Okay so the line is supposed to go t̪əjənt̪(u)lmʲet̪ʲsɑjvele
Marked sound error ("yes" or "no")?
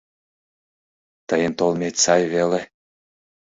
yes